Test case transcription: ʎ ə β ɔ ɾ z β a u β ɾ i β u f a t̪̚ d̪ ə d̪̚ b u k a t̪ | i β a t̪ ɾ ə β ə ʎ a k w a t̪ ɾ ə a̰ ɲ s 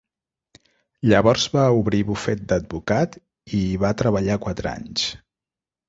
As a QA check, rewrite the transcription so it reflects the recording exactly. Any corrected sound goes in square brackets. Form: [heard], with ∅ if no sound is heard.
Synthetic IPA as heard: ʎ ə β ɔ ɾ z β a u β ɾ i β u f [ɛ] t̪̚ d̪ ə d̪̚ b u k a t̪ | i β a t̪ ɾ ə β ə ʎ a k w a t̪ ɾ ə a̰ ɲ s